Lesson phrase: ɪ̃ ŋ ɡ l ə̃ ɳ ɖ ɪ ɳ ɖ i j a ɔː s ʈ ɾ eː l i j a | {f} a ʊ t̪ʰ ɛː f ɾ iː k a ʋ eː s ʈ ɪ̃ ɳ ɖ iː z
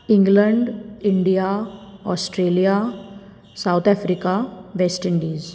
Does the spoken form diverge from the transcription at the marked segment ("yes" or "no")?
yes